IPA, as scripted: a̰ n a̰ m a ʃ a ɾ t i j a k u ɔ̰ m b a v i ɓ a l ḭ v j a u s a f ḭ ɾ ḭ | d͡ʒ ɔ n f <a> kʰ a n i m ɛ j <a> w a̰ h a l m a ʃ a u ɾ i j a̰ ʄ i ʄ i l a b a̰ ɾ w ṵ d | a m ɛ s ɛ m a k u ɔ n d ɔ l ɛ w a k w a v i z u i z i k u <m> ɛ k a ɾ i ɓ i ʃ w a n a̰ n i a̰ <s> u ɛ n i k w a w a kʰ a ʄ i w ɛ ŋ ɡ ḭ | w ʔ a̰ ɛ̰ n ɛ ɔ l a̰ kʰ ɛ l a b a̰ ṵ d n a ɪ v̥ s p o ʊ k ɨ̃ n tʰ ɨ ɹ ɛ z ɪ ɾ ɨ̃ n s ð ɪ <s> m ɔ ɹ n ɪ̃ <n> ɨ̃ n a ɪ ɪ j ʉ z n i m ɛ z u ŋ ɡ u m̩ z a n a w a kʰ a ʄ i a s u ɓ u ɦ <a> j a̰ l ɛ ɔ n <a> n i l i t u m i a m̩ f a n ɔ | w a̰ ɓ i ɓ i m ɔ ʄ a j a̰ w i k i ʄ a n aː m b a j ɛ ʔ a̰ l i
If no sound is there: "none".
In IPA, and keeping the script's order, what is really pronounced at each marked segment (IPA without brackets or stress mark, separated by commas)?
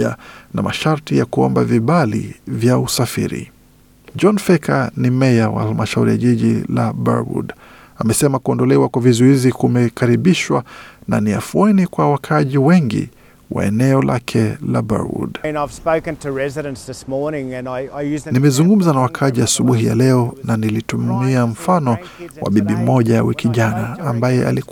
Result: ɛ, a, m, f, s, ŋ, i, a